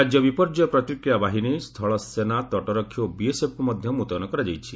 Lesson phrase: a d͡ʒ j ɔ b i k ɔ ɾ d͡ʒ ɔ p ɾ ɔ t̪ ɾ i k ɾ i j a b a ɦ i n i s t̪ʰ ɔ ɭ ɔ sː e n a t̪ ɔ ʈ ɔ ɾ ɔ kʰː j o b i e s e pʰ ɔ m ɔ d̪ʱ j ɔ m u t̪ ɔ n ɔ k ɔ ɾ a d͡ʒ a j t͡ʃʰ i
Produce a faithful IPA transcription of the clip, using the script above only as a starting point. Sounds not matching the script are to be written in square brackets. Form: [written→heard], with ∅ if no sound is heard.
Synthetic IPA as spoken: a d͡ʒ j ɔ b i [k→p] ɔ ɾ d͡ʒ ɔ p ɾ ɔ t̪ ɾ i k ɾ i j a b a ɦ i n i s t̪ʰ ɔ ɭ ɔ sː e n a t̪ ɔ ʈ ɔ ɾ ɔ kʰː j o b i e s e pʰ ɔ m ɔ d̪ʱ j ɔ m u t̪ ɔ n ɔ k ɔ ɾ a d͡ʒ a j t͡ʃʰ i